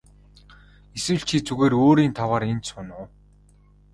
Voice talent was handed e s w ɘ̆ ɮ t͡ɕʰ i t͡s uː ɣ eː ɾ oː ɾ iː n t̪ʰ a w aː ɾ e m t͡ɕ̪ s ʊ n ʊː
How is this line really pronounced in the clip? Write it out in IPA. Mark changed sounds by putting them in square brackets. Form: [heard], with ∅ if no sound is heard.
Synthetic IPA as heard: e s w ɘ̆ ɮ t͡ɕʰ i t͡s [u] ɣ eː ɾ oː ɾ iː n t̪ʰ a w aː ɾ e [n] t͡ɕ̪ s ʊ n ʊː